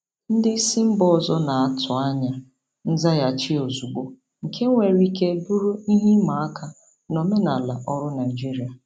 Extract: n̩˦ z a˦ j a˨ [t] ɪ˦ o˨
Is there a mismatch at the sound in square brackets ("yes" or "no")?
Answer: yes